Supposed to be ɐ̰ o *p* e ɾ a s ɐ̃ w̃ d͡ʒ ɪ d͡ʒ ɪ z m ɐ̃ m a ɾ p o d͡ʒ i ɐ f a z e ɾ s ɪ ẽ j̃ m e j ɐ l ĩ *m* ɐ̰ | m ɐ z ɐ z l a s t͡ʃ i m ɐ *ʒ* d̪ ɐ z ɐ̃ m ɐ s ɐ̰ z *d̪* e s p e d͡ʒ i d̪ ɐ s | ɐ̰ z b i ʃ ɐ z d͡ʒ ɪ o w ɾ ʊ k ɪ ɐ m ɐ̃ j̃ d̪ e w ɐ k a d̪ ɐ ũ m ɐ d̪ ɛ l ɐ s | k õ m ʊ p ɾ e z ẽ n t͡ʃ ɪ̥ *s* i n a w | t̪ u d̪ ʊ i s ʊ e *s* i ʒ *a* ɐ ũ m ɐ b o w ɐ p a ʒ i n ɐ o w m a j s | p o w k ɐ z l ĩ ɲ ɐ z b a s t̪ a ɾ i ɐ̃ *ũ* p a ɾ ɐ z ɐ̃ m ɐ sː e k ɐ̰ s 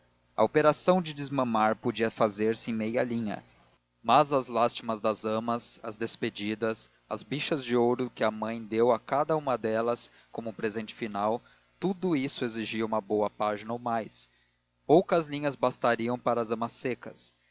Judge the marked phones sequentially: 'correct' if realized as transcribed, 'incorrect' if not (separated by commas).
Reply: correct, incorrect, incorrect, correct, incorrect, incorrect, incorrect, incorrect